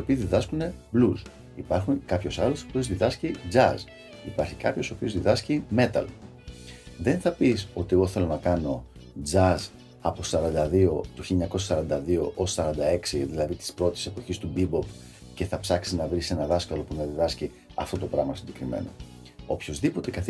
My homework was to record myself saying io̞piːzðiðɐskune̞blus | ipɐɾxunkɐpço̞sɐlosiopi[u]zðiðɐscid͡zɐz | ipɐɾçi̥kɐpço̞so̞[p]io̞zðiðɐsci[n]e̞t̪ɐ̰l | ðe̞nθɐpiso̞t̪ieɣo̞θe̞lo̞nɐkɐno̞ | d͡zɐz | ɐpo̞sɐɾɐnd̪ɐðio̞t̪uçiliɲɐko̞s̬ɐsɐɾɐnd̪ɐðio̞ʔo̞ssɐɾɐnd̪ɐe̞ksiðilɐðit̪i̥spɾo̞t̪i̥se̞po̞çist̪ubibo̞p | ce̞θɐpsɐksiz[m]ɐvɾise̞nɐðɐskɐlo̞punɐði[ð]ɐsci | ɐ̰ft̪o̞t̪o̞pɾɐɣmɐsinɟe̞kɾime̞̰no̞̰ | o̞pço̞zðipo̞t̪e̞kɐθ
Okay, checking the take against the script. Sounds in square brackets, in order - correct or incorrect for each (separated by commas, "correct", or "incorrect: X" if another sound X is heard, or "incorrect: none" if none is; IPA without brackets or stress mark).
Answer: incorrect: o, correct, incorrect: m, incorrect: n, correct